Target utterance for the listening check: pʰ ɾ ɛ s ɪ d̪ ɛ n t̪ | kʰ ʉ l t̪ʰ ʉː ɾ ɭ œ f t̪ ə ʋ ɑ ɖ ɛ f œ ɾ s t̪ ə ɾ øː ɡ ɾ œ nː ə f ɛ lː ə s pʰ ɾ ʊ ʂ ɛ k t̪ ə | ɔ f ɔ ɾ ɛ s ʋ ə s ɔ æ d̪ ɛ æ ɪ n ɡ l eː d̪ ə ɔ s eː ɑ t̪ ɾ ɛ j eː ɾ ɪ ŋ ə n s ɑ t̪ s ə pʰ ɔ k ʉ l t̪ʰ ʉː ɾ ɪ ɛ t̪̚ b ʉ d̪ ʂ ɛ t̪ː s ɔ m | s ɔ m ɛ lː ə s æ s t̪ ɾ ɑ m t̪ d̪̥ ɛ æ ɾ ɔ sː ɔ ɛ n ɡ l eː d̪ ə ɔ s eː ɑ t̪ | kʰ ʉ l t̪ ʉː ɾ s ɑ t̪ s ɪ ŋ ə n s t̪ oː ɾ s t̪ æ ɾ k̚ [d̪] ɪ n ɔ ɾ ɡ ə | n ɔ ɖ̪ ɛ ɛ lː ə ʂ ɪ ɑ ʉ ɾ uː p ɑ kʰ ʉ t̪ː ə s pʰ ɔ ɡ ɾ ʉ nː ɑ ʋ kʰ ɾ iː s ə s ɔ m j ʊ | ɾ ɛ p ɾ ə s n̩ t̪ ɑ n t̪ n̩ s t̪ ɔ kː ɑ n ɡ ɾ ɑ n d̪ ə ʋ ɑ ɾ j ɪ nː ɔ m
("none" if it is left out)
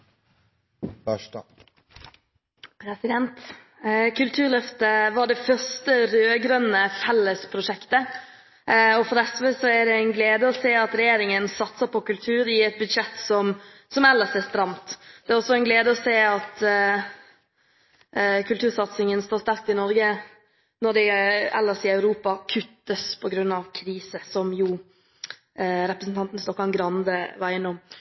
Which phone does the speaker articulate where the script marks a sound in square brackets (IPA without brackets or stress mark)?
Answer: t̪